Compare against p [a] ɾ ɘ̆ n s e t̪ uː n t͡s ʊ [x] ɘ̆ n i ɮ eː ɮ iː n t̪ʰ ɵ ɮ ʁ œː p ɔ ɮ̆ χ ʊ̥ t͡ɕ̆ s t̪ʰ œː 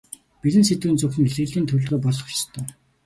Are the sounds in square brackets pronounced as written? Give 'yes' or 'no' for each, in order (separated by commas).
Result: no, yes